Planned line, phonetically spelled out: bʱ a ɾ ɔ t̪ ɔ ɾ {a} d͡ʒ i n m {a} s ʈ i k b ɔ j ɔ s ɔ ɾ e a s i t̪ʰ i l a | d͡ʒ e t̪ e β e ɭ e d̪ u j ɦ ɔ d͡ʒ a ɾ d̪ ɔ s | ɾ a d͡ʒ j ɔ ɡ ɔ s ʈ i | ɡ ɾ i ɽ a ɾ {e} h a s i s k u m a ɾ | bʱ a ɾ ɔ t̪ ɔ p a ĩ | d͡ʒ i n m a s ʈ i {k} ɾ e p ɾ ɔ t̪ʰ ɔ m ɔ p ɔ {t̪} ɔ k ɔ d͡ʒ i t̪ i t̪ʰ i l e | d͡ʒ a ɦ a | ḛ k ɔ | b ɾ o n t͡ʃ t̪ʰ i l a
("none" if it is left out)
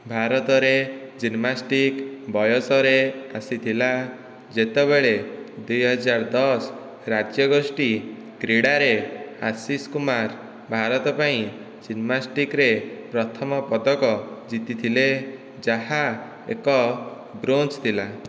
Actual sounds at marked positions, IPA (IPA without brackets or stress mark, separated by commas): e, a, e, k, d̪